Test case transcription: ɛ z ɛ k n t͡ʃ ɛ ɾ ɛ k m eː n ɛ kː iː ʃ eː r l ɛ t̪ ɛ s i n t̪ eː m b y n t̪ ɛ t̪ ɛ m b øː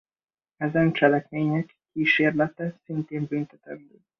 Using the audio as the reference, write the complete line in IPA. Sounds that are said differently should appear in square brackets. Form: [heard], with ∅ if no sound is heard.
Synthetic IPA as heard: ɛ z ɛ [∅] n t͡ʃ ɛ [l] ɛ k m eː [ɲ] ɛ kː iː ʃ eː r l ɛ t̪ ɛ s i n t̪ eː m b y n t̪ ɛ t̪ ɛ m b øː